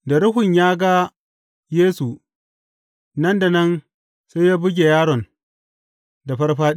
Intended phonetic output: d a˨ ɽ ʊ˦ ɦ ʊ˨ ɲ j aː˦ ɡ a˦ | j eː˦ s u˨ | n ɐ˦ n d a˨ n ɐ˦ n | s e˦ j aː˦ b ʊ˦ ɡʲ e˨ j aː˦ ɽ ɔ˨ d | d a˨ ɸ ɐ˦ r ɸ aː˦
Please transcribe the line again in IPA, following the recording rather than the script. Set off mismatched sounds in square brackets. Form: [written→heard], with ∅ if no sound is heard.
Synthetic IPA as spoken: d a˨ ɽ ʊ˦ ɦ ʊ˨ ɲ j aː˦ ɡ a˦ | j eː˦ s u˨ | n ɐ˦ n d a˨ n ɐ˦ n | s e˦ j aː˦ b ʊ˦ ɡʲ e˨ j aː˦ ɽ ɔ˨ [d→n] | d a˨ ɸ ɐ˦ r ɸ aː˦